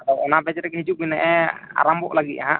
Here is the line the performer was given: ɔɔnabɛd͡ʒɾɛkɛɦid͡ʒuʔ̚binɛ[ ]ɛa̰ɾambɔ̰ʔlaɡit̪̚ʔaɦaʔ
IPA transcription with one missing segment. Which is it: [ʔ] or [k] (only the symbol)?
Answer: ʔ